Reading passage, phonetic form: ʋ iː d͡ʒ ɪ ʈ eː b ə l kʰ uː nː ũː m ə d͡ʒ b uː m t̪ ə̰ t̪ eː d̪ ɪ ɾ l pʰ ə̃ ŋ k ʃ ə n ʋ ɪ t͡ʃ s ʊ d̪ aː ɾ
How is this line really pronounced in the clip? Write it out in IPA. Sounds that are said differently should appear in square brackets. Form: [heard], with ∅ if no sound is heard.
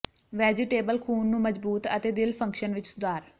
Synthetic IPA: ʋ [ɛː] d͡ʒ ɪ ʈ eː b ə l kʰ uː nː ũː m ə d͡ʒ b uː [∅] t̪ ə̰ t̪ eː d̪ ɪ [∅] l pʰ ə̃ ŋ k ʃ ə n ʋ ɪ t͡ʃ s ʊ d̪ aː ɾ